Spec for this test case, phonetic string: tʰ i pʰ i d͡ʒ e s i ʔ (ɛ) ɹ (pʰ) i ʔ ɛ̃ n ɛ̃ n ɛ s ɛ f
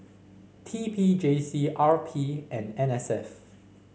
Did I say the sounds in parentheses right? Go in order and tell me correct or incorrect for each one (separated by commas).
incorrect, correct